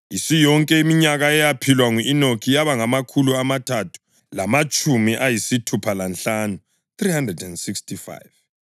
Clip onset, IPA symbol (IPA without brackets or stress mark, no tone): i